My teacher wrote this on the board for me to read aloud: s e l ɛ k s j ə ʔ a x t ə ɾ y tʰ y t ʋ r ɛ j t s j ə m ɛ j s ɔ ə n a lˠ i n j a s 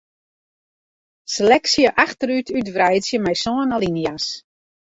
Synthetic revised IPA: s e l ɛ k s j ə ʔ a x t ə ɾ y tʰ y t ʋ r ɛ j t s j ə m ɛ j s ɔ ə n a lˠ i n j a s